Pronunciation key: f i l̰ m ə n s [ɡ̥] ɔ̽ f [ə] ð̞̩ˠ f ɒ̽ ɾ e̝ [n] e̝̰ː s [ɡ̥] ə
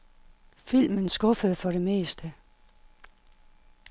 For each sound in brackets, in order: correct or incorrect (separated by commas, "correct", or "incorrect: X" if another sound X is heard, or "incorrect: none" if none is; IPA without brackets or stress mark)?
correct, correct, incorrect: m, incorrect: d̥